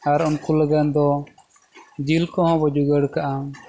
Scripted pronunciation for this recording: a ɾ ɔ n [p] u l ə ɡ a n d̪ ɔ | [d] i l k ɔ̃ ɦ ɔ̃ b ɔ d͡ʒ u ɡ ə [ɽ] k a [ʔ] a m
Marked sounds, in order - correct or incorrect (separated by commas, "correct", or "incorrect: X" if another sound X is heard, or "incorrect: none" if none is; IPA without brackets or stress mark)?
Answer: incorrect: k, incorrect: d͡ʒ, correct, correct